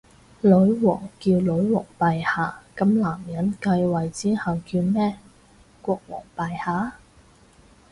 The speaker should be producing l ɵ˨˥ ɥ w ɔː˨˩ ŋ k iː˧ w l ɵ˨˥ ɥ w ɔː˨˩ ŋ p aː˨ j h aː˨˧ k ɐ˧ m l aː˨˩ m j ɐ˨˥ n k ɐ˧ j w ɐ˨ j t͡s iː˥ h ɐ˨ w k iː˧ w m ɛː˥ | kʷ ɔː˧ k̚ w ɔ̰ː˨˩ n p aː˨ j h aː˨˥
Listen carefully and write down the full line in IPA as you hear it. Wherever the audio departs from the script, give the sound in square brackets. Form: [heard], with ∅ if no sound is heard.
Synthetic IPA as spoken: l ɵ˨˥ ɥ w ɔː˨˩ ŋ k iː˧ w l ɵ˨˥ ɥ w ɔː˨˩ ŋ p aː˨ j h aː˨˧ k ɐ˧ m l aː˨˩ m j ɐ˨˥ n k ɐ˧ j w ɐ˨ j t͡s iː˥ h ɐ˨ w k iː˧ w m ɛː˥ | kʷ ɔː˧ k̚ w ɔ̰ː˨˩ [ŋ] p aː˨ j h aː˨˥